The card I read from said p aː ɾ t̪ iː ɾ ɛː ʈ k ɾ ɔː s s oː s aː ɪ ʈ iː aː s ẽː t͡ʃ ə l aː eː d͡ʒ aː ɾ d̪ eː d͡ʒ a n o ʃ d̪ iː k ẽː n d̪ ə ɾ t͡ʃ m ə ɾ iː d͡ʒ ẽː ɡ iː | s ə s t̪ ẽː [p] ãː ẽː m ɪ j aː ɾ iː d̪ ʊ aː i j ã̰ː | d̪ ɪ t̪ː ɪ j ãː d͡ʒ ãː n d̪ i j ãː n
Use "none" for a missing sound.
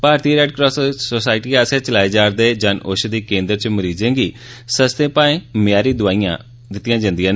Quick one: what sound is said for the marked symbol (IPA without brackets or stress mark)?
p